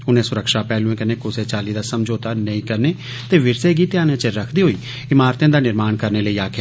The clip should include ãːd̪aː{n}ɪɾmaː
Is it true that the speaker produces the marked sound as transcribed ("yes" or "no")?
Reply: yes